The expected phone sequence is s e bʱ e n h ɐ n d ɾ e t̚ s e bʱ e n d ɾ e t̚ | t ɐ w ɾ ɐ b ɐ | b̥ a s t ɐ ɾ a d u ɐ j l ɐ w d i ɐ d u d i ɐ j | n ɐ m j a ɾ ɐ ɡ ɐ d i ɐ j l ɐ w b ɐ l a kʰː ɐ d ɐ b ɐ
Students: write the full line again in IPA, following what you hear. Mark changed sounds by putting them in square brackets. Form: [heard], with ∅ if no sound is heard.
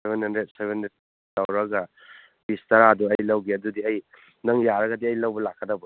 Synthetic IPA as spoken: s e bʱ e n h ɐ n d ɾ e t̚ s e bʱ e n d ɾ e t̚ | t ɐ w ɾ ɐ [ɡ] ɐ | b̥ [i] s t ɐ ɾ a d u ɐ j l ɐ w [ɡ] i ɐ d u d i ɐ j | n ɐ [ŋ] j a ɾ ɐ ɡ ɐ d i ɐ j l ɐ w b ɐ l a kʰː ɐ d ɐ b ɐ